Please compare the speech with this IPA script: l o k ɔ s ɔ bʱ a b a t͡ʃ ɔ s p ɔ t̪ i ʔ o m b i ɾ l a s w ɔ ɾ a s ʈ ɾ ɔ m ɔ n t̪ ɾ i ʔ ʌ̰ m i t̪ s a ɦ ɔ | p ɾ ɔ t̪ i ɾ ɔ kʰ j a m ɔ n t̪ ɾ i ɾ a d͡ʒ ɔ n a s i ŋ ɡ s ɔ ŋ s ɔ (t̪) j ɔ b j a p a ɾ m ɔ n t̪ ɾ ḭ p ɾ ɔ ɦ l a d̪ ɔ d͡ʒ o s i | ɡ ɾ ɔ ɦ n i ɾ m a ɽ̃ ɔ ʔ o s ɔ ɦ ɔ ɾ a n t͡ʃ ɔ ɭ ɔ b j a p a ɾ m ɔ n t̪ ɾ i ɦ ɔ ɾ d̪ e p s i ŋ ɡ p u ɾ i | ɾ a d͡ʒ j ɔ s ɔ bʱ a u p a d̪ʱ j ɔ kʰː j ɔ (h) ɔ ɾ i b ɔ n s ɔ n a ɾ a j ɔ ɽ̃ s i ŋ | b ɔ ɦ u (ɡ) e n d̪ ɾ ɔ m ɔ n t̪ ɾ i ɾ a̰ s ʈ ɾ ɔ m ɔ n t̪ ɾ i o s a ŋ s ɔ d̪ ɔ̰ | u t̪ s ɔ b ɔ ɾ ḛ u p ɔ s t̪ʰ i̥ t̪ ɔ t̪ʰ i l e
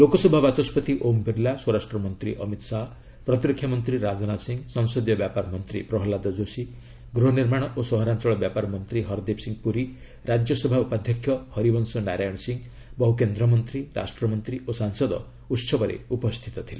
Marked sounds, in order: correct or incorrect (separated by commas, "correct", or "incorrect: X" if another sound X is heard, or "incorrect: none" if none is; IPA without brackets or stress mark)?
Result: incorrect: d̪, correct, incorrect: k